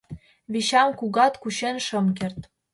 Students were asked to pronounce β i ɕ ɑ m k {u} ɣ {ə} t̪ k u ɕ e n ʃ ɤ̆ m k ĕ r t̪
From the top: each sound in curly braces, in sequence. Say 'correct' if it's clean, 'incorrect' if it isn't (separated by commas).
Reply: correct, incorrect